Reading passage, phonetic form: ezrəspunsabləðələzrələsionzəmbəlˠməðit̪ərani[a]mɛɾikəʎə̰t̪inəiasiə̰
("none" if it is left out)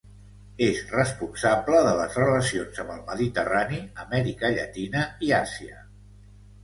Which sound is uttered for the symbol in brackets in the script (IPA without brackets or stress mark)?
ə